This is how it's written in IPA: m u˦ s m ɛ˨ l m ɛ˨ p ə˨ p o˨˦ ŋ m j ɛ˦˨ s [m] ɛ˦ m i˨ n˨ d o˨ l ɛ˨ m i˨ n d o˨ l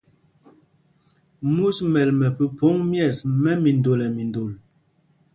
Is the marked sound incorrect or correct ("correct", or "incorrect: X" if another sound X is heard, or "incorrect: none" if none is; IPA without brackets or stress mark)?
correct